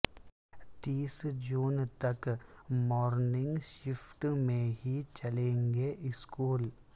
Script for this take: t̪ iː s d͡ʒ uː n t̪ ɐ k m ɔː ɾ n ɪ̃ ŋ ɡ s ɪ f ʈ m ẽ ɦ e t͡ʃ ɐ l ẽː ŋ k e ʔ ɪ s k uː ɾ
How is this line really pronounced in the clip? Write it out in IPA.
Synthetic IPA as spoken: t̪ iː s d͡ʒ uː n t̪ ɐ k m ɔː ɾ n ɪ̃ ŋ ɡ ʃ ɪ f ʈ m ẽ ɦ i t͡ʃ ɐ l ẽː ŋ ɡ e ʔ ɪ s k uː l